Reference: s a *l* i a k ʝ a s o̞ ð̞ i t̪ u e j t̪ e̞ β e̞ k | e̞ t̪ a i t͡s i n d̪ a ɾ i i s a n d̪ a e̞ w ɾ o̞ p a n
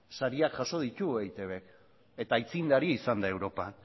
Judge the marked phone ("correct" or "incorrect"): incorrect